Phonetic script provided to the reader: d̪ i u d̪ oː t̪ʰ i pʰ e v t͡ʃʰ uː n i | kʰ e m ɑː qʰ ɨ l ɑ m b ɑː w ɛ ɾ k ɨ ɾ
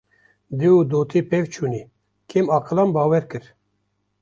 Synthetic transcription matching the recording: d̪ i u d̪ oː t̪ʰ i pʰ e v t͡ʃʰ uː n i | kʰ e m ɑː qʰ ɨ l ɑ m b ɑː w ɛ ɾ k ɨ ɾ